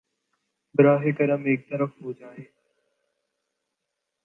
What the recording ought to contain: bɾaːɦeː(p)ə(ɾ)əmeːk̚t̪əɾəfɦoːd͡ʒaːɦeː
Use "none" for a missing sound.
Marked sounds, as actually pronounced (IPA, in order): k, ɾ

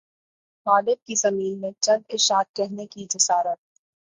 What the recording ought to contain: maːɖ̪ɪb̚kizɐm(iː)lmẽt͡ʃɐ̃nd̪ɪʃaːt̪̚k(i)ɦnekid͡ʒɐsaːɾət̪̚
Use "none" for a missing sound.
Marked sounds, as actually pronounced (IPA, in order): iː, ɛ

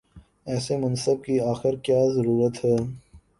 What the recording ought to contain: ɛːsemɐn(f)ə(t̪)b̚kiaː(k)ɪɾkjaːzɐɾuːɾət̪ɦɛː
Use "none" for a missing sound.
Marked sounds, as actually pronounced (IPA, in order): s, none, x

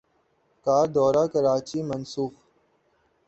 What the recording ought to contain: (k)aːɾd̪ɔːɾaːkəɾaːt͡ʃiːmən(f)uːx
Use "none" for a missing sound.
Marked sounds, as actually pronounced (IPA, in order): k, s

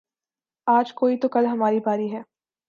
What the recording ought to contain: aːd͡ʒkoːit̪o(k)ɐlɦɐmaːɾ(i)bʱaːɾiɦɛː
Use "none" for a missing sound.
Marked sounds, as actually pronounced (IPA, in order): k, i

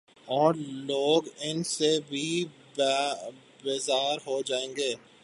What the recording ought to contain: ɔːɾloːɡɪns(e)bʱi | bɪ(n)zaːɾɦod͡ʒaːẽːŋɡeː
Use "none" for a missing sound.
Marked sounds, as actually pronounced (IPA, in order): e, none

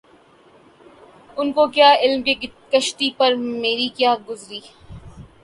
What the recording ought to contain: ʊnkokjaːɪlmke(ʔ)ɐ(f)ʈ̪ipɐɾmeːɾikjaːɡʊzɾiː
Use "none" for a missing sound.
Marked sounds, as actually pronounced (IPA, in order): k, ʃ

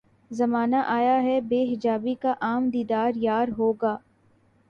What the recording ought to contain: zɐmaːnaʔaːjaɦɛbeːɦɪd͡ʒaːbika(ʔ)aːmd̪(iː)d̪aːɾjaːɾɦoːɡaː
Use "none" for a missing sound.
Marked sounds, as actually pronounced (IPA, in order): ʔ, iː

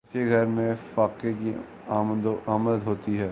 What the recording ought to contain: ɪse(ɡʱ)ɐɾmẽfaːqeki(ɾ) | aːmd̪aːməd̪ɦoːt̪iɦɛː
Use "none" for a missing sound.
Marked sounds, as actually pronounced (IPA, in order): ɡʱ, none

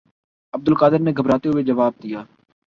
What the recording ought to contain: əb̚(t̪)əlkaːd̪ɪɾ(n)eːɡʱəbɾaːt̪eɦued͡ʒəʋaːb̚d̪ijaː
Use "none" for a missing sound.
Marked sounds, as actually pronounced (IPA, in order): d̪, n

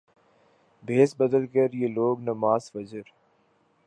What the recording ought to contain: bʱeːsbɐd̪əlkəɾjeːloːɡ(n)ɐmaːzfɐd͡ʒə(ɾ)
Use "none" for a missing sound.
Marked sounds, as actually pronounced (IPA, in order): n, ɾ

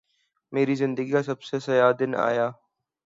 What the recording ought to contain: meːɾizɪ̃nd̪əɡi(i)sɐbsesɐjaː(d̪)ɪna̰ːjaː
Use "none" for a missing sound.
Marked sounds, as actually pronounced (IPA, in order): a, d̪

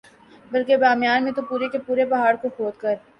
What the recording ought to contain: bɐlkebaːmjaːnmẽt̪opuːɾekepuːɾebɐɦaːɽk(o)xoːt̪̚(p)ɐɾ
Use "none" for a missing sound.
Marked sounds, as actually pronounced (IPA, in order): o, k

